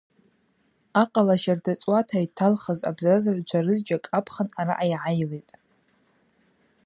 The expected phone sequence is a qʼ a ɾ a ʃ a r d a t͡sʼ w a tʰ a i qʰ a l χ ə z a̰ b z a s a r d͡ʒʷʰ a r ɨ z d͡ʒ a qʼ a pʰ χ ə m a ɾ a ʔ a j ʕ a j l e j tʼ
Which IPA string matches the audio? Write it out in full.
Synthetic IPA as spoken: a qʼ a l a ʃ a r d a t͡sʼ w a tʰ a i tʰ a l χ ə z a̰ b z a z a r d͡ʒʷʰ a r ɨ z d͡ʒ a kʼ a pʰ χ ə n a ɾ a ʔ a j ʕ a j l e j tʼ